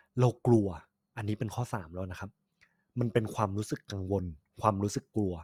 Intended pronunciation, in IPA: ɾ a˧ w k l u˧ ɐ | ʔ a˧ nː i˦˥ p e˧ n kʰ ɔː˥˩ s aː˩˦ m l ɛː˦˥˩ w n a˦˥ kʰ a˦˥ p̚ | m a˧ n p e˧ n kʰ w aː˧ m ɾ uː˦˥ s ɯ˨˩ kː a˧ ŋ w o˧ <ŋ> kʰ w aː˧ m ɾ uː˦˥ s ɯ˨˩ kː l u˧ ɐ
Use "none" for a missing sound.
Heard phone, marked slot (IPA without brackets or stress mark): n